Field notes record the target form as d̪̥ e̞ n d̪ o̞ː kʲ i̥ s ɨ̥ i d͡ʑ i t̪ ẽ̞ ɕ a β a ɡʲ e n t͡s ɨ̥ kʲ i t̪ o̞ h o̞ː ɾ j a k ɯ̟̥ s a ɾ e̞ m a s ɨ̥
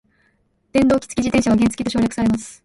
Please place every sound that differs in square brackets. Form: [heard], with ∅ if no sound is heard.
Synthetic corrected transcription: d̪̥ [ẽ̞] n d̪ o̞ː kʲ i̥ [t͡s] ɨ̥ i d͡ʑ i t̪ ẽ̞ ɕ a β a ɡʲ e n t͡s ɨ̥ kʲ i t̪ o̞ [ɕ] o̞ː ɾ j a k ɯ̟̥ s a ɾ e̞ m a s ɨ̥